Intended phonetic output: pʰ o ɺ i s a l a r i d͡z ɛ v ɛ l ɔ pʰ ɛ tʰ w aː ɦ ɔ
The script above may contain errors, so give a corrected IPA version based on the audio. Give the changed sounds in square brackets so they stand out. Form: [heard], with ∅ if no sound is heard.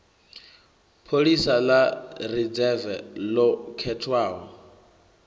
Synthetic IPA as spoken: pʰ o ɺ i s a l a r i d͡z ɛ v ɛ l ɔ [kʰ] ɛ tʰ w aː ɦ ɔ